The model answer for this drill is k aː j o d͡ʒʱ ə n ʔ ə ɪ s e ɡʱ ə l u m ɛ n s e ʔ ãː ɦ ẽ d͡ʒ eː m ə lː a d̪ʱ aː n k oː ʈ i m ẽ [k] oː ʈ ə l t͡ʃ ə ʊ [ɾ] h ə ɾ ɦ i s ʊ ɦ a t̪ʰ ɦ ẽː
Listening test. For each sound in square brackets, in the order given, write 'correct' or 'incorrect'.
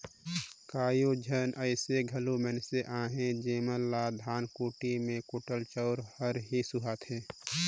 correct, correct

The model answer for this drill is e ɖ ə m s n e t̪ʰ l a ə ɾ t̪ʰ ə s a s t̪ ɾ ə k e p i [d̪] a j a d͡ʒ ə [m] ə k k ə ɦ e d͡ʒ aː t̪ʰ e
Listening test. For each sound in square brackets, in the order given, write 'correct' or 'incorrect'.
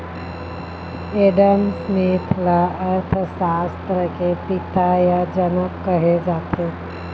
incorrect: t̪, incorrect: n

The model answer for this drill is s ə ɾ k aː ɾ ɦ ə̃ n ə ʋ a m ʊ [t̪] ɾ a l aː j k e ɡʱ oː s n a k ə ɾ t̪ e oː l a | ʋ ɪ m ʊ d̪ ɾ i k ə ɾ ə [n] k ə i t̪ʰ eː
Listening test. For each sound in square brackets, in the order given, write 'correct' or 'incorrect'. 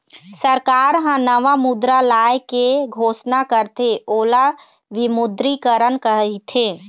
incorrect: d̪, correct

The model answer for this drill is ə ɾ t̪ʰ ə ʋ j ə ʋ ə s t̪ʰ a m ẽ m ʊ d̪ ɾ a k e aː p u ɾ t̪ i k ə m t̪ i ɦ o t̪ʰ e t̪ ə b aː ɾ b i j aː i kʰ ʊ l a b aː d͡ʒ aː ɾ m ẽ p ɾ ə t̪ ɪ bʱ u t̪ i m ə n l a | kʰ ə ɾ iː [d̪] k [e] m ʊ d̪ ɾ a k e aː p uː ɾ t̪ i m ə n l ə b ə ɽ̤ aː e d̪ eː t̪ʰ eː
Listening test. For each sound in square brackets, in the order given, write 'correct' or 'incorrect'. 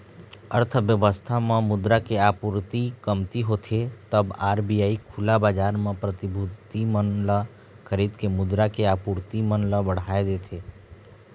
correct, correct

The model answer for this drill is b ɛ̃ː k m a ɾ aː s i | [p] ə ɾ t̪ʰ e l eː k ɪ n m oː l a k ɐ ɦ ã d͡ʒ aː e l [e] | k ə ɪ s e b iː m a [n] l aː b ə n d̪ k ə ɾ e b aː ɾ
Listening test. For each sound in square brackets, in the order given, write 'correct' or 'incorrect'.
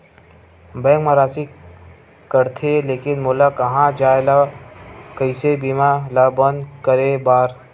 incorrect: k, incorrect: a, incorrect: none

